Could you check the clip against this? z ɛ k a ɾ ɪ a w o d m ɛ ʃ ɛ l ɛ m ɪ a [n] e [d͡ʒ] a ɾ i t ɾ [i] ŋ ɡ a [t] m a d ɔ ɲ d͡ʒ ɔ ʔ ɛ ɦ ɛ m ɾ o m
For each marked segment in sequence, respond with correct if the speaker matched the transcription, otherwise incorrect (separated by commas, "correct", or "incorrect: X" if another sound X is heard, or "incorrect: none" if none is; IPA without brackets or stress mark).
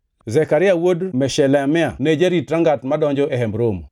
correct, correct, incorrect: a, correct